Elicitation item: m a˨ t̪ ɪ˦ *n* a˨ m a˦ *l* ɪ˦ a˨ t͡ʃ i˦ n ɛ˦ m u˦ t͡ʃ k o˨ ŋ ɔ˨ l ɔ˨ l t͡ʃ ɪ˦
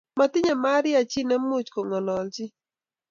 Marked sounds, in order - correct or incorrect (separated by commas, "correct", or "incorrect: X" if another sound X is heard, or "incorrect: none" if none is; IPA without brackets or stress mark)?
incorrect: ɲ, incorrect: ɾ